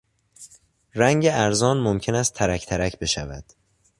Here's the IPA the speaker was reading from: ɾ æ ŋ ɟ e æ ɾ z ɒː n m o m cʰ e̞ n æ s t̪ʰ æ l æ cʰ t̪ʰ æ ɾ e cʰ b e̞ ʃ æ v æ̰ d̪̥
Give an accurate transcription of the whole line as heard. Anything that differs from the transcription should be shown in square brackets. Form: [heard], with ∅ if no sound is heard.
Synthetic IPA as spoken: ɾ æ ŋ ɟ e æ ɾ z ɒː n m o m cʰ e̞ n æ s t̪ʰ æ [ɾ] æ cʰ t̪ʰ æ ɾ [æ] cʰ b e̞ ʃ æ v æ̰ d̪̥